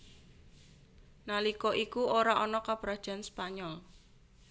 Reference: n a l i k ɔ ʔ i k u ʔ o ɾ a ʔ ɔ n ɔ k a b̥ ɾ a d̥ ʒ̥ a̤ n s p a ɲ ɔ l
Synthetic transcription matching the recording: n a l i k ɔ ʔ i k u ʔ o ɾ a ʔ ɔ n ɔ k a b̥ ɾ a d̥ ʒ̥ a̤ n s p a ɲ ɔ l